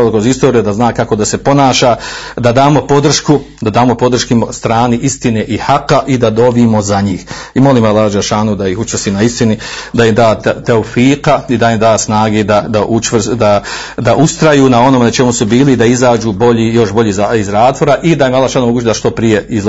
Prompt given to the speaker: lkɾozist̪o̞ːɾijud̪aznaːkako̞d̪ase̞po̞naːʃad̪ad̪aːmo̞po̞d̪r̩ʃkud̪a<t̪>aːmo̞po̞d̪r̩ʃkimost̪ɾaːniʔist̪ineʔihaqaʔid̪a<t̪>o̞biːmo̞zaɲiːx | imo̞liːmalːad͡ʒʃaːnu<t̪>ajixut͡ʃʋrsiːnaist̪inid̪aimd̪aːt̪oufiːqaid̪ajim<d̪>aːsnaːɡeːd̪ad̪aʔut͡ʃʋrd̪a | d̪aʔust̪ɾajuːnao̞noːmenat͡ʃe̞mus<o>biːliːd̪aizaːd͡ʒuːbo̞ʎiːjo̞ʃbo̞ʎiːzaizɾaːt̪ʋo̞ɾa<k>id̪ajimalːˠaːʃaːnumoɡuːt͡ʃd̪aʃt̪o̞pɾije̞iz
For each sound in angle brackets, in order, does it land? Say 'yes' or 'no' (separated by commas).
no, no, no, yes, no, no